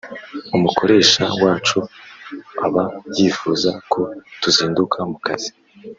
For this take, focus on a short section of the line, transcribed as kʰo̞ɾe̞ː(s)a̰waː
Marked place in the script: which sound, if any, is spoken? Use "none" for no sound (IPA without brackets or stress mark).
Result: ʃ